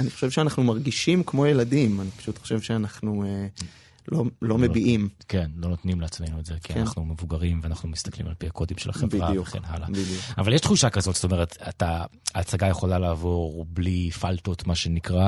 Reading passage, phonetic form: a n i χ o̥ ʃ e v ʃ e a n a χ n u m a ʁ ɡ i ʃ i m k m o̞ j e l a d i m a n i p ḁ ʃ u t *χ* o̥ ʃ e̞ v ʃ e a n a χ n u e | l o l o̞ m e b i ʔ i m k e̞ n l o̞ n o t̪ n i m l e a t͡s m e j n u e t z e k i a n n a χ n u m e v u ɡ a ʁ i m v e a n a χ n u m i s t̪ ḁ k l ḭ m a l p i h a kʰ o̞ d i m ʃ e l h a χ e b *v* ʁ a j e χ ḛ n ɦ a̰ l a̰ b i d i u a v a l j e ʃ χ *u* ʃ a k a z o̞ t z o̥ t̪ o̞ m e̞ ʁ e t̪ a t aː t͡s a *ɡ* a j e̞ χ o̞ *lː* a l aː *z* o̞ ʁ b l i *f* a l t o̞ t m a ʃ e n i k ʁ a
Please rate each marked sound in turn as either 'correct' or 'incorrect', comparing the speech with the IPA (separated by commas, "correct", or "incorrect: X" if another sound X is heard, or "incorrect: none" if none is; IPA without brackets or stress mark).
correct, correct, correct, correct, incorrect: l, incorrect: v, correct